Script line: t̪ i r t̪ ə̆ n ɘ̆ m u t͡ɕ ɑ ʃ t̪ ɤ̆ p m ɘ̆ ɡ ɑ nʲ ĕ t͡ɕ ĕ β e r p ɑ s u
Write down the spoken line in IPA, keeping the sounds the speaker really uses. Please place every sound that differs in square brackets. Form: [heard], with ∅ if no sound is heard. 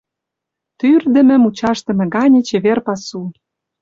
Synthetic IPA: t̪ [y] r [d̪] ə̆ [m] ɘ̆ m u t͡ɕ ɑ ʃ t̪ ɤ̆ [∅] m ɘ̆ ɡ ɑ nʲ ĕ t͡ɕ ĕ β e r p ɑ s u